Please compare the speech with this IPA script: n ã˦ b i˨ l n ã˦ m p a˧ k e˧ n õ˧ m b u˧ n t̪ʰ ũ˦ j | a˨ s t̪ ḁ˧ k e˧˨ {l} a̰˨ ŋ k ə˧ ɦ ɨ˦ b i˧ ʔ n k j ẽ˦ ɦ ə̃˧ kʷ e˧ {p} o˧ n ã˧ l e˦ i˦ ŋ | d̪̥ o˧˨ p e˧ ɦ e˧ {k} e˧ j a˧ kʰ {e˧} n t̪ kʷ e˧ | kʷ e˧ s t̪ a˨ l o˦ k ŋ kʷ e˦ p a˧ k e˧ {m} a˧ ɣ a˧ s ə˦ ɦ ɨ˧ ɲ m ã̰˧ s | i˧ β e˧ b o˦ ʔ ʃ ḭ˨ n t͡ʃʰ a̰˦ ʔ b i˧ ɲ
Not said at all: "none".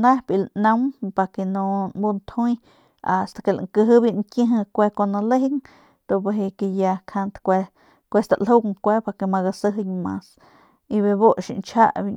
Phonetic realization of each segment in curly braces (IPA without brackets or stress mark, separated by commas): l, k, k, a˧, m